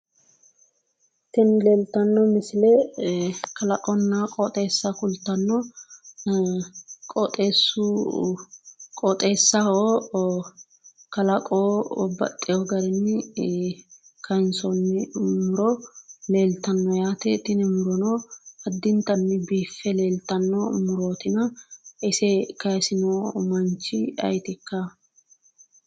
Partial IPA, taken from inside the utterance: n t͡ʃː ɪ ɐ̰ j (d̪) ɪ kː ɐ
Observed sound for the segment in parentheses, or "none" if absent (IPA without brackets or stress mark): t̪